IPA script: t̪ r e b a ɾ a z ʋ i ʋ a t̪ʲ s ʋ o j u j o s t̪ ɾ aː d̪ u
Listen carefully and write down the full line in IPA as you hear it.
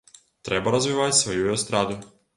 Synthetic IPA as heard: t̪ ɾ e b a ɾ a z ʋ i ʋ a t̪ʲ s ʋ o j u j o s t̪ ɾ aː d̪ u